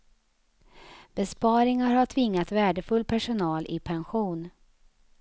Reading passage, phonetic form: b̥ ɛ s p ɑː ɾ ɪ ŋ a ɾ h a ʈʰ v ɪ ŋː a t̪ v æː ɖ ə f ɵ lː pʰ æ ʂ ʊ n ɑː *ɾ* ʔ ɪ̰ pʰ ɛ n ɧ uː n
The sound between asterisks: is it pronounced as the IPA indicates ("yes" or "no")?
no